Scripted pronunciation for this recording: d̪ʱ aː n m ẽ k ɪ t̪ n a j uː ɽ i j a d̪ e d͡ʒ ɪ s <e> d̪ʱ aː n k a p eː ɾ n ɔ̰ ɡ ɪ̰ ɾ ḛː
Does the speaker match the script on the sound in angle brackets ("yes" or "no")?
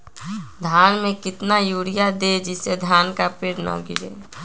yes